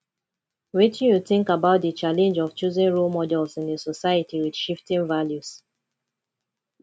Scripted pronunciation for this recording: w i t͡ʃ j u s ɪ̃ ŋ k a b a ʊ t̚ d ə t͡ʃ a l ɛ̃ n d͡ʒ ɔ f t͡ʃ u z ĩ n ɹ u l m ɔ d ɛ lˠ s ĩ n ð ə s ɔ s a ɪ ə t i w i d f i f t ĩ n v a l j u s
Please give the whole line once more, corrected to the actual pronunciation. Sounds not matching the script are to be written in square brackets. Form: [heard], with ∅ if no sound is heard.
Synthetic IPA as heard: w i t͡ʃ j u [θ] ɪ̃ ŋ k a b a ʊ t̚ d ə t͡ʃ a l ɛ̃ n d͡ʒ ɔ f t͡ʃ u z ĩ n ɹ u l m ɔ d ɛ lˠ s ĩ n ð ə s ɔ s a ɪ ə t i w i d [ʃ] i f t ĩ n v a l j u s